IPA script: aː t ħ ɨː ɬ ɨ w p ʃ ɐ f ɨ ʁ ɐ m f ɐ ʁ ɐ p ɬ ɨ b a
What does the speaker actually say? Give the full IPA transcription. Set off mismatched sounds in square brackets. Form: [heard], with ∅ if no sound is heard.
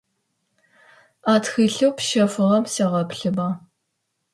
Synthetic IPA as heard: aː t [x] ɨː ɬ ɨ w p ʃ ɐ f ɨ ʁ ɐ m [s] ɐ ʁ ɐ p ɬ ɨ b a

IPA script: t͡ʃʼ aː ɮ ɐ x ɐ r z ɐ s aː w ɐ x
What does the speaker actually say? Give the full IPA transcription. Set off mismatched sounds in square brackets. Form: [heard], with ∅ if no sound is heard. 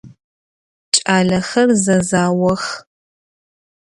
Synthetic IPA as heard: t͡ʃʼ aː ɮ ɐ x ɐ r z ɐ [z] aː w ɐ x

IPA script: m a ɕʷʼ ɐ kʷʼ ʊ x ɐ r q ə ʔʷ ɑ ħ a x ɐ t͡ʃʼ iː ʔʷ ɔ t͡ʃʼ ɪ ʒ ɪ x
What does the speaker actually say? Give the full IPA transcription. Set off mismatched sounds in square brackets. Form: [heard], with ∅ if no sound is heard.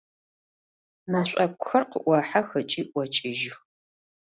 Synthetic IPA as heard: m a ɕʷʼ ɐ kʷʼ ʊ x ɐ r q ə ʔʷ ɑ ħ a x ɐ t͡ʃʼ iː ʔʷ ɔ t͡ʃʼ ɪ ʒ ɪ x

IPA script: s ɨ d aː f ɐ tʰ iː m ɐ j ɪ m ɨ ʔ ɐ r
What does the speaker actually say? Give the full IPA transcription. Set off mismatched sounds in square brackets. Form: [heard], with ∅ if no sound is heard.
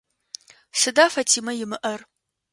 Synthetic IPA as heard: s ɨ d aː f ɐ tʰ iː m ɐ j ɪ m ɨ ʔ ɐ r

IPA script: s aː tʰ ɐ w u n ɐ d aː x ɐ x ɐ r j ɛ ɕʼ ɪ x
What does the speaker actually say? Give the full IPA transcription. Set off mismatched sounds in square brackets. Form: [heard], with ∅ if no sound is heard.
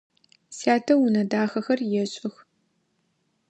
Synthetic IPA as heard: s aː tʰ ɐ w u n ɐ d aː x ɐ x ɐ r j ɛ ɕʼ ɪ x

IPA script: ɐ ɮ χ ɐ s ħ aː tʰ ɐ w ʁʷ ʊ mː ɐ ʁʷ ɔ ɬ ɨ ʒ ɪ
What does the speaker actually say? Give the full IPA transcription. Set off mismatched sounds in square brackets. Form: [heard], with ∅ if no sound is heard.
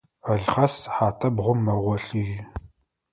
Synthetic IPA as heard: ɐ ɮ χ ɐ s ħ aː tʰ ɐ [b] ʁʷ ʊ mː ɐ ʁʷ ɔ ɬ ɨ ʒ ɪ

